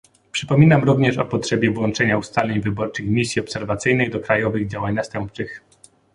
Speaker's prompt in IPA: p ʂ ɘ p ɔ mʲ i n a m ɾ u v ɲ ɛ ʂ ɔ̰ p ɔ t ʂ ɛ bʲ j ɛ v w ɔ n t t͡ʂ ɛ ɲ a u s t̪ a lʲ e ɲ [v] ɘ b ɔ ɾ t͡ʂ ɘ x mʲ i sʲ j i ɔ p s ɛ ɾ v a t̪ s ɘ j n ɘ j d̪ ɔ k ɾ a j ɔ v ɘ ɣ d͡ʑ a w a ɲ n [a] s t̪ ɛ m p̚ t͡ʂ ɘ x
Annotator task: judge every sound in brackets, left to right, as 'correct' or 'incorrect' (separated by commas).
correct, correct